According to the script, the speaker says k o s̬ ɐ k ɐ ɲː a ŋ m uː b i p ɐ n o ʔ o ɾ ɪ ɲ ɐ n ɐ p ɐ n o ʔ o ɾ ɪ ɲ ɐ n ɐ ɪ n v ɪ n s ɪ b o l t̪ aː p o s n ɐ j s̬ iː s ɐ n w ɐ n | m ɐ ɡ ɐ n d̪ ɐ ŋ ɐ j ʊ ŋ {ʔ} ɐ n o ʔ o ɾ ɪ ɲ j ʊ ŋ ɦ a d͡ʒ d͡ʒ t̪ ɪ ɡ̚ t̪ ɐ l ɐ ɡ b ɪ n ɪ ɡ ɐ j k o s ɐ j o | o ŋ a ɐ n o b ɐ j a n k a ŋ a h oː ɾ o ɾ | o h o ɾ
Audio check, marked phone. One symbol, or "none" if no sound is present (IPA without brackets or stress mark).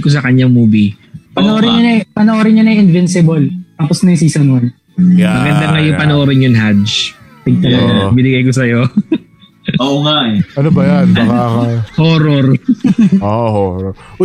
p